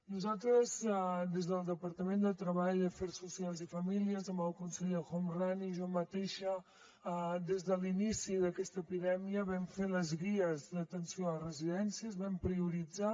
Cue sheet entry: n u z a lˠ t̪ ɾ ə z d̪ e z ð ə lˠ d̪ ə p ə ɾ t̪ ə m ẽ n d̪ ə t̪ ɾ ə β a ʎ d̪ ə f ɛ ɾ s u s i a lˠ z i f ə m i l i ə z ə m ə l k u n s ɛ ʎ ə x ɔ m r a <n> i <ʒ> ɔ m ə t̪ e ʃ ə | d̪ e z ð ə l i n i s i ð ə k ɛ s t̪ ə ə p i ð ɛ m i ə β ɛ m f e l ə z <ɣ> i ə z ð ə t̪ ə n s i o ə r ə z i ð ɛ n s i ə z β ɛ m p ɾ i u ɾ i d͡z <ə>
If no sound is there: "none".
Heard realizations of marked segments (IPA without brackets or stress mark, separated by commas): n, ʒ, ɣ, a